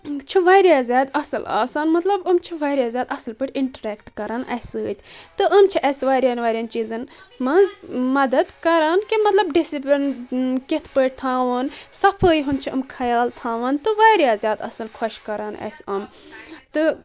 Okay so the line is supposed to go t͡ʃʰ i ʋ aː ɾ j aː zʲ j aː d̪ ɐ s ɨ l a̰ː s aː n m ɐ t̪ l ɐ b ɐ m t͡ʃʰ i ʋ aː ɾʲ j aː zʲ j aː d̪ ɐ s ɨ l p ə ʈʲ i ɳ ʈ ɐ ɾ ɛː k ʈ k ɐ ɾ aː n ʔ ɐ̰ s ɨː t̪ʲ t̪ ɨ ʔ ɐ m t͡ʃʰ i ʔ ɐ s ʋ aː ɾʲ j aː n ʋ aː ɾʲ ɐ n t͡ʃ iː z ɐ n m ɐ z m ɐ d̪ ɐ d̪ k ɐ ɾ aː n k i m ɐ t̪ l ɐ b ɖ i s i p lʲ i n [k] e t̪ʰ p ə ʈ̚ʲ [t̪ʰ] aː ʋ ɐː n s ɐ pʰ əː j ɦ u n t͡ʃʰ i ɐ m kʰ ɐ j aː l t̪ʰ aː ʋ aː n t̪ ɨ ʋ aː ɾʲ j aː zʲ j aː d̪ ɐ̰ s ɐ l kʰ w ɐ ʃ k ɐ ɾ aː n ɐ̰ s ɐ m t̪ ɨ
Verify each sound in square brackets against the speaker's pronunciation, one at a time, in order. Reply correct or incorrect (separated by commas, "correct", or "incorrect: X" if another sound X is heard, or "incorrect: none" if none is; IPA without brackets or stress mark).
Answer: correct, correct